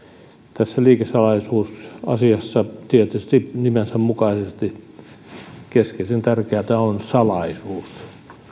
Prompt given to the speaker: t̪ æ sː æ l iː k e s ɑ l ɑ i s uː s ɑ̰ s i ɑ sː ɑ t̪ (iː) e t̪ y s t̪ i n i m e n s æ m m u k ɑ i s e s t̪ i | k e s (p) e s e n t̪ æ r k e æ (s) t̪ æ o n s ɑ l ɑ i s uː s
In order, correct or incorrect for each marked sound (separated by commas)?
incorrect, incorrect, incorrect